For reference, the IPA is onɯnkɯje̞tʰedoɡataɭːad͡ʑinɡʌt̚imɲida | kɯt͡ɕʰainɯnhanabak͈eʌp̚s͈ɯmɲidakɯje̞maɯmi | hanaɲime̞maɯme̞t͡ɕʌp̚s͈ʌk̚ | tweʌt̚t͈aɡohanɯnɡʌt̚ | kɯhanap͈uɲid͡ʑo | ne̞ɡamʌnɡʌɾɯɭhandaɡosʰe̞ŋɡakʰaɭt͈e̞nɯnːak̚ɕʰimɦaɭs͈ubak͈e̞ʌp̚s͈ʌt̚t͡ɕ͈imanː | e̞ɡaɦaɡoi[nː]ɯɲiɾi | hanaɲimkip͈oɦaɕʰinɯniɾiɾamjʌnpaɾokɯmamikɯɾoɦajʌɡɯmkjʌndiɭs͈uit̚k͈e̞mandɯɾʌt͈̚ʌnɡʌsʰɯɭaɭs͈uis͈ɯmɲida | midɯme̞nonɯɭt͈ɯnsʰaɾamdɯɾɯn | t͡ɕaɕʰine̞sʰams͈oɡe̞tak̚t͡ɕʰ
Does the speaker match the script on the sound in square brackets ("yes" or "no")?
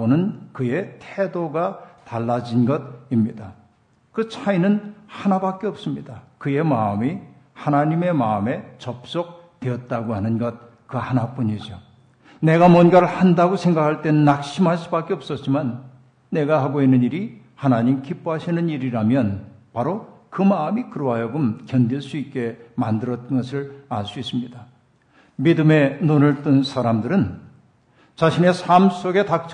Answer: yes